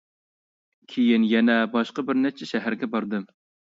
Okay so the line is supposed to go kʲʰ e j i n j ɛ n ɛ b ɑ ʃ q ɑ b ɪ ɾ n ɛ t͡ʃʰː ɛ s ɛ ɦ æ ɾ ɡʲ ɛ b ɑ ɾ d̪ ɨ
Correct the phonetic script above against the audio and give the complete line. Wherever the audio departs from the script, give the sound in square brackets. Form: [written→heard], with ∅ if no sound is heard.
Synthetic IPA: kʲʰ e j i n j ɛ n ɛ b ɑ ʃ q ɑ b ɪ ɾ n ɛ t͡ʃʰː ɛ [s→ʃ] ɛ ɦ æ ɾ ɡʲ ɛ b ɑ ɾ d̪ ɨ